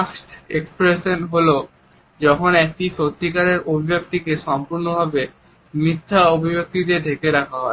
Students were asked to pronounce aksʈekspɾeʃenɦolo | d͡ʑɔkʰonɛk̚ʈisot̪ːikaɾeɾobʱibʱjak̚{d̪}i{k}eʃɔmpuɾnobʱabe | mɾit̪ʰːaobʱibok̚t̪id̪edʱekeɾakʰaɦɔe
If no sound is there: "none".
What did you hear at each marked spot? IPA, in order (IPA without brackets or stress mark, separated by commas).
t̪, k